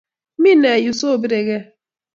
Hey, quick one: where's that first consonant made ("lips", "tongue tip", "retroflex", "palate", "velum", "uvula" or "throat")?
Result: lips